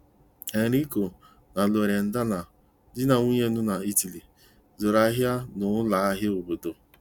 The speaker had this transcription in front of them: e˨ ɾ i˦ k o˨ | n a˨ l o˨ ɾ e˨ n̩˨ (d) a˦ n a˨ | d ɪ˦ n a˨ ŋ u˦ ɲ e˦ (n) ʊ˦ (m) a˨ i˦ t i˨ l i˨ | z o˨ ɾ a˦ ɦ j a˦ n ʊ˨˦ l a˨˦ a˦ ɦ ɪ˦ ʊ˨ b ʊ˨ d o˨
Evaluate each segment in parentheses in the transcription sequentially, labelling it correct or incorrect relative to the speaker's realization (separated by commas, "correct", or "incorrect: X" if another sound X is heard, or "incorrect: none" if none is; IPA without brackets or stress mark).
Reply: correct, correct, incorrect: n